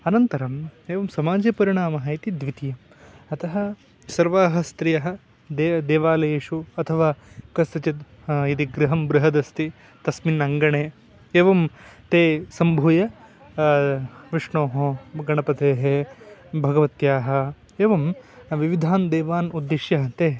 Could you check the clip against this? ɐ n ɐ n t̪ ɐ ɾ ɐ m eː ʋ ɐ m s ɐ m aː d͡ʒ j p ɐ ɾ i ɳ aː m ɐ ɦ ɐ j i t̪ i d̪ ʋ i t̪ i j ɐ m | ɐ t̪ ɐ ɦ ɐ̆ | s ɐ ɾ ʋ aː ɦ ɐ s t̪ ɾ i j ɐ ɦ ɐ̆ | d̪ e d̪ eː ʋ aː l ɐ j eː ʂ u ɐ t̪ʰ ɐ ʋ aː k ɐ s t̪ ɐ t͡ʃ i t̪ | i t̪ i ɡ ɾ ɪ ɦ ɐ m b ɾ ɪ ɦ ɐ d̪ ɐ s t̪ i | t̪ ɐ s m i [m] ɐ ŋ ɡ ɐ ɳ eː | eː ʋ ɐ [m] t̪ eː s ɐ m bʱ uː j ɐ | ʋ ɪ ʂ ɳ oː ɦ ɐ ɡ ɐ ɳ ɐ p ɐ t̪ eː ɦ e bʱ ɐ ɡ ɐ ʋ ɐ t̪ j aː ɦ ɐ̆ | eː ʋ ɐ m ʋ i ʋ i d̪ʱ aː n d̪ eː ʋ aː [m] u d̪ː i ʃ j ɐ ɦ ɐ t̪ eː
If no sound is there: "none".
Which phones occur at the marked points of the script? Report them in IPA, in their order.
n, m, n

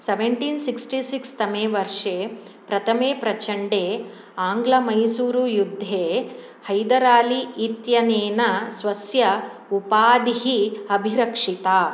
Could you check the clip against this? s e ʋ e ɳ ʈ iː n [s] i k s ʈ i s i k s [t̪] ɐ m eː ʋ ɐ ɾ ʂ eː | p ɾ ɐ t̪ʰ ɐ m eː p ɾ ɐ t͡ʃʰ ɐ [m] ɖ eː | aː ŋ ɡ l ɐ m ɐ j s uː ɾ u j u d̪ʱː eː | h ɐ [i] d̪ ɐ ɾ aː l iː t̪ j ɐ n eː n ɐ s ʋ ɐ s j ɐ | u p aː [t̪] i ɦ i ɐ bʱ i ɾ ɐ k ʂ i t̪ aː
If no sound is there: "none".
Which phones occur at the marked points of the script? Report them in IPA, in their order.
s, t̪, ɳ, j, d̪

